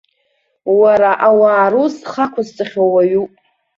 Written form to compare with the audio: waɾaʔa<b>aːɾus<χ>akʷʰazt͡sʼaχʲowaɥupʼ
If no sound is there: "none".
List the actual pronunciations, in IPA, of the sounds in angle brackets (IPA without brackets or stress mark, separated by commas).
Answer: w, χ